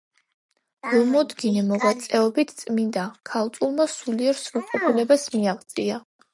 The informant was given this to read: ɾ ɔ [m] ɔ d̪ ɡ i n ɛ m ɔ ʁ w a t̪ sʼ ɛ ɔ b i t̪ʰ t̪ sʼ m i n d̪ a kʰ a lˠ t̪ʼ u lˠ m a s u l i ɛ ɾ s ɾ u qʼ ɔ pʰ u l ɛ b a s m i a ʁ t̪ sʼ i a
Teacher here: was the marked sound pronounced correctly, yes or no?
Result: yes